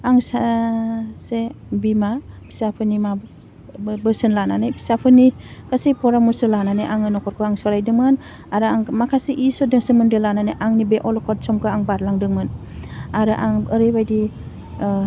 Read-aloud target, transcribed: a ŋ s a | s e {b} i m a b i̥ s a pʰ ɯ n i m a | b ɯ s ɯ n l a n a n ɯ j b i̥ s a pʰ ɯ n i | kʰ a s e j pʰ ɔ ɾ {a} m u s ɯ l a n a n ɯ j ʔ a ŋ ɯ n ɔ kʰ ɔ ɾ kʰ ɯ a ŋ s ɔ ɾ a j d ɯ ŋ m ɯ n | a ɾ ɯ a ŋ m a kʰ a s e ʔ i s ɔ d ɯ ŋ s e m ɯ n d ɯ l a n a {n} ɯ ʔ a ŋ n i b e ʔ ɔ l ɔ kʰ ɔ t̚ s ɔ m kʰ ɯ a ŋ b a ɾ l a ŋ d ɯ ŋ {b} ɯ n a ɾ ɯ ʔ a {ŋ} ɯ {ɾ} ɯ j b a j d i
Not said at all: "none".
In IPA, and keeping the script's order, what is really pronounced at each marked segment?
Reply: b, a, n, m, ŋ, ɾ

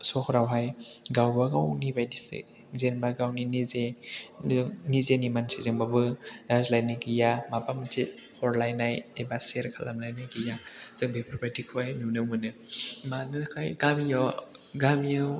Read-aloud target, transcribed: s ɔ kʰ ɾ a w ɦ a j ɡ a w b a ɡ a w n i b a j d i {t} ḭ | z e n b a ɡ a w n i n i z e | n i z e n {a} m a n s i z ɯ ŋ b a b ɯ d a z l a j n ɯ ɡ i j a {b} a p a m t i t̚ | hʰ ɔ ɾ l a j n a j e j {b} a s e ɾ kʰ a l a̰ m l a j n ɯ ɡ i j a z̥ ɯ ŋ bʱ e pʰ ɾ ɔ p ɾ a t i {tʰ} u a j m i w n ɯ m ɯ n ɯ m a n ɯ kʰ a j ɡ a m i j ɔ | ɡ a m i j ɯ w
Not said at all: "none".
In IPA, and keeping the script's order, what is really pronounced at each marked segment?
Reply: s, i, m, b, kʰ

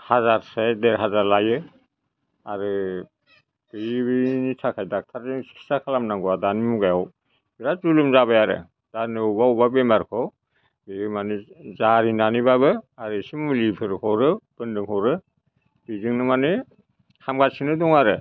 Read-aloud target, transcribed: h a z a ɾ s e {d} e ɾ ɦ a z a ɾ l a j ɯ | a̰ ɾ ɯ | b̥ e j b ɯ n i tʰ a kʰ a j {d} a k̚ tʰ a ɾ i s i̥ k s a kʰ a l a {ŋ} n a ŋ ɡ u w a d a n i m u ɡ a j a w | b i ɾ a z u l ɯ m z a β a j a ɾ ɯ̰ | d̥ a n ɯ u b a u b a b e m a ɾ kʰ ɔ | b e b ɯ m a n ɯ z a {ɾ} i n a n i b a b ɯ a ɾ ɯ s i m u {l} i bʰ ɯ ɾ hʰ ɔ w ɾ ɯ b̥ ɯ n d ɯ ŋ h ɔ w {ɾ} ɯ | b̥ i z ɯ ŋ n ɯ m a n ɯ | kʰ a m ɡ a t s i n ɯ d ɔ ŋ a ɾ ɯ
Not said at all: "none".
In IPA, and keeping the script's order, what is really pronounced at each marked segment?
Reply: d, d, m, ɾ, l, ɾ

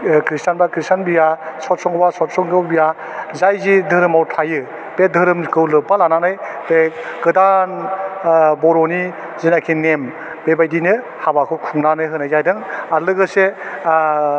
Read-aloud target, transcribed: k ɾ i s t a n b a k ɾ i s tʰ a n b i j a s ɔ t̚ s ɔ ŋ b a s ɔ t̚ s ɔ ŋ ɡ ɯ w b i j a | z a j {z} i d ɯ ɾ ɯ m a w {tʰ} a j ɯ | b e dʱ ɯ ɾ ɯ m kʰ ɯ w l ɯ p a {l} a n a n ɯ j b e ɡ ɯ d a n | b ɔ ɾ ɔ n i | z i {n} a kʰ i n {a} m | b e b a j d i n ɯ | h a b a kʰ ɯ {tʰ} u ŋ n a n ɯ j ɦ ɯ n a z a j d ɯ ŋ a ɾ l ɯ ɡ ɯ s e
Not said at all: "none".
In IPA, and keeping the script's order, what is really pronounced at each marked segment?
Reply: z, tʰ, l, n, e, kʰ

